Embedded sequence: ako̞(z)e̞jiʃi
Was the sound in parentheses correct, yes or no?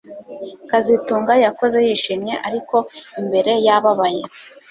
yes